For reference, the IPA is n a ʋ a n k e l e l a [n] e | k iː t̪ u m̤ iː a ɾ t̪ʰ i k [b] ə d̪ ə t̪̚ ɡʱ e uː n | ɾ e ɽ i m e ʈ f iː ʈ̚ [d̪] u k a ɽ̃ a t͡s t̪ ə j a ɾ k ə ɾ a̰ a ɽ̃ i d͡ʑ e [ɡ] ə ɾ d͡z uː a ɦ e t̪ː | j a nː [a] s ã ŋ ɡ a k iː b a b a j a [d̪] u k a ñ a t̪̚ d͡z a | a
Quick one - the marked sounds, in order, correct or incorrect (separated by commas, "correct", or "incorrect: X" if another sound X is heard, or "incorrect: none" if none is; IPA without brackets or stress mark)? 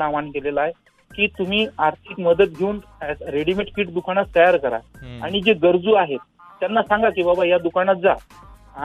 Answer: incorrect: none, incorrect: m, correct, correct, correct, correct